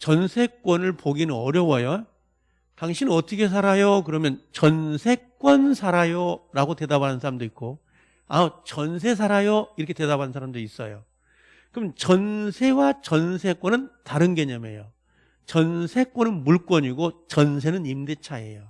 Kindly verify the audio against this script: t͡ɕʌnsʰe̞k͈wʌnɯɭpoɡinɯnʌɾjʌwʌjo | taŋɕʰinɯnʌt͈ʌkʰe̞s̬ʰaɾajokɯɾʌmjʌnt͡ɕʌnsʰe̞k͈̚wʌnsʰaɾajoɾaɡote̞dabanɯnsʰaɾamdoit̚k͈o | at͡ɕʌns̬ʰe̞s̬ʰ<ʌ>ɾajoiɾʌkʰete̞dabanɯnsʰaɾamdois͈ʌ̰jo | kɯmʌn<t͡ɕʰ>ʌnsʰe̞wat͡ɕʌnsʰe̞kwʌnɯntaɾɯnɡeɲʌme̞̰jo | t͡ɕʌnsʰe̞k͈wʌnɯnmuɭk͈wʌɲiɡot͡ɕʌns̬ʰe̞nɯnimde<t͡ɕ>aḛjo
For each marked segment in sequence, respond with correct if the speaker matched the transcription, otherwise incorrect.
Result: incorrect: a, incorrect: t͡ɕ, incorrect: t͡ɕʰ

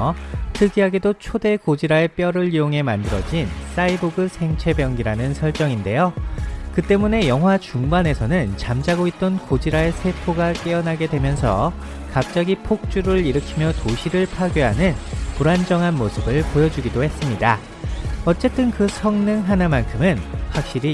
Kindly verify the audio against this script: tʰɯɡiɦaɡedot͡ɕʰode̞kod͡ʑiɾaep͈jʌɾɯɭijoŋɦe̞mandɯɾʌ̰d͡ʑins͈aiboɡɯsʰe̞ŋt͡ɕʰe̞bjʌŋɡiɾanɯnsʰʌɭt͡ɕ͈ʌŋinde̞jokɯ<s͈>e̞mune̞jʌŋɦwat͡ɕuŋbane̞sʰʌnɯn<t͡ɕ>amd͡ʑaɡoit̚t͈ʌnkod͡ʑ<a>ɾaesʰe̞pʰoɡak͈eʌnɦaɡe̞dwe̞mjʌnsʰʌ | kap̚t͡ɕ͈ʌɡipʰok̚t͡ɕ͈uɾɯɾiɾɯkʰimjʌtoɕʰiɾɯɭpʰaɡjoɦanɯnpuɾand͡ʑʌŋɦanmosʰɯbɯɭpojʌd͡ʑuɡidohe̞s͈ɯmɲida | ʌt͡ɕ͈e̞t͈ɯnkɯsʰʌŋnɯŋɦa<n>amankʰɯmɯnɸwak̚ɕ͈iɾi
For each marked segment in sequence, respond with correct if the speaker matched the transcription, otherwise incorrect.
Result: incorrect: t͈, correct, incorrect: i, correct

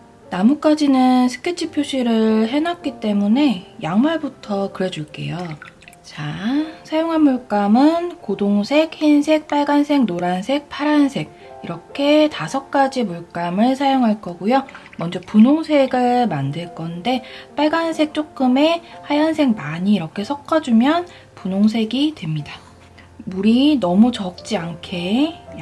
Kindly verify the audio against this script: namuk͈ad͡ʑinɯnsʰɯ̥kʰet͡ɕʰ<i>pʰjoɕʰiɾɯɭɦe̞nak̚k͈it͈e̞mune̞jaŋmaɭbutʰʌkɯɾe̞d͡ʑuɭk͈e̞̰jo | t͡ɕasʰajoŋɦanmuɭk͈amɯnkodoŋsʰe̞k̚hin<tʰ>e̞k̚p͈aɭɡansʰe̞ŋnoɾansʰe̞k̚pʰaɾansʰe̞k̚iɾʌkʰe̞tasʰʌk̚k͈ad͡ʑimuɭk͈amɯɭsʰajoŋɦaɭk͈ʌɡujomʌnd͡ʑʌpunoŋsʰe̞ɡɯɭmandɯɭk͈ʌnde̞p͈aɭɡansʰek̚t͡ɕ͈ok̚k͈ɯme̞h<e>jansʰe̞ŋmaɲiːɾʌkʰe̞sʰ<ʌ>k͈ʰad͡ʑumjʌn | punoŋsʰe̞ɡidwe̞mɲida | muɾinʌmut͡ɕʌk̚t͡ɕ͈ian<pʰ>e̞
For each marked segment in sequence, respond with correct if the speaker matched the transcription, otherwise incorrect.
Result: correct, incorrect: sʰ, incorrect: a, correct, incorrect: kʰ

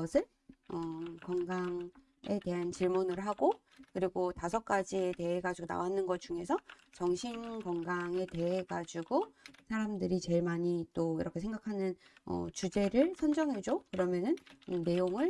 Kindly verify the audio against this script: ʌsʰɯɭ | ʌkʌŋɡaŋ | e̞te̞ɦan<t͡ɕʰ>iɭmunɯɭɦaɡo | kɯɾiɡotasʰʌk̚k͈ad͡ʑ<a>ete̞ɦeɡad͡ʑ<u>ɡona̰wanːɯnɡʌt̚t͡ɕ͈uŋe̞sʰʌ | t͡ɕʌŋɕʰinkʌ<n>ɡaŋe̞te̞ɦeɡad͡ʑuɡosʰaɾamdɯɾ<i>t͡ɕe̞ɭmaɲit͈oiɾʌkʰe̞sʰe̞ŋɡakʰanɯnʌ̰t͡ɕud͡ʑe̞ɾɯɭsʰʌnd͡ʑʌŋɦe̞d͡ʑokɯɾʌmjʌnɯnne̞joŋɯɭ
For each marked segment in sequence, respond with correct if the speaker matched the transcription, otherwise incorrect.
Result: incorrect: t͡ɕ, incorrect: i, correct, incorrect: ŋ, correct

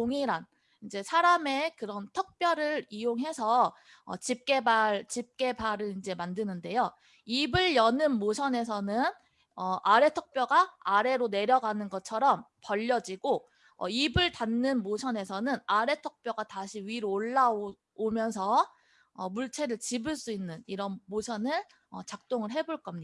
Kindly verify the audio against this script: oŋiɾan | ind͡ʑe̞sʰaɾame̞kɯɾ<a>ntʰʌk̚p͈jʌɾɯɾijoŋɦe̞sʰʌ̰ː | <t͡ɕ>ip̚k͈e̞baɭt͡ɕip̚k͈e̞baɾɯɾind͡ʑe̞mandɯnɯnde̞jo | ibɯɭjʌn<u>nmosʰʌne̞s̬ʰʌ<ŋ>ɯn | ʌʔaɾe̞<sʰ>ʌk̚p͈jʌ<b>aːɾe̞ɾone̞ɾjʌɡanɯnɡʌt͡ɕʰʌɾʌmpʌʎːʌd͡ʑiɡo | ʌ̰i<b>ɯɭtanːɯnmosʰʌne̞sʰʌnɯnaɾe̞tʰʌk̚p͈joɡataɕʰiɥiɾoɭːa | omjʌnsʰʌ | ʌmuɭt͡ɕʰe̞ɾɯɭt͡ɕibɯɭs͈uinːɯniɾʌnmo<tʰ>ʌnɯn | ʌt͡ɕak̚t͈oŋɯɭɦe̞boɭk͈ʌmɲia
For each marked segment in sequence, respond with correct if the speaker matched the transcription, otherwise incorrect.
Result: incorrect: ʌ, correct, incorrect: ɯ, incorrect: n, incorrect: tʰ, incorrect: ɡ, correct, incorrect: sʰ

